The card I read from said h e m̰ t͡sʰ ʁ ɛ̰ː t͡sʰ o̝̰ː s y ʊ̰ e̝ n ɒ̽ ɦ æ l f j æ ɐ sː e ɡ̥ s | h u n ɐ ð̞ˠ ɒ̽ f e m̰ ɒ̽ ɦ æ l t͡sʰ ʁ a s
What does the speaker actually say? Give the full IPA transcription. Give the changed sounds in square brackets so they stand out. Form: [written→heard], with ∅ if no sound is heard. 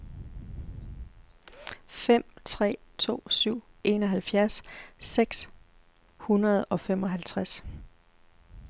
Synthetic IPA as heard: [h→f] e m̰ t͡sʰ ʁ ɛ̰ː t͡sʰ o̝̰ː s y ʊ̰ e̝ n ɒ̽ ɦ æ l f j æ ɐ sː e ɡ̥ s | h u n ɐ ð̞ˠ ɒ̽ f e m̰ ɒ̽ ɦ æ l t͡sʰ ʁ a s